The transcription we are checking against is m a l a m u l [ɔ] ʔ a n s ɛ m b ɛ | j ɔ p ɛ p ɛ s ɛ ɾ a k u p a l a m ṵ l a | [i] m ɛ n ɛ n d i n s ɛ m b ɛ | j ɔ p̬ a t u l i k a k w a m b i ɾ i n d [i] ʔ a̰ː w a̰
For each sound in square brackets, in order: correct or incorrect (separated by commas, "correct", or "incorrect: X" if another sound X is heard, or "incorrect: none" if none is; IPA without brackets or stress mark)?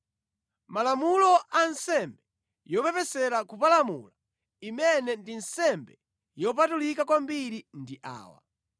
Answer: correct, correct, correct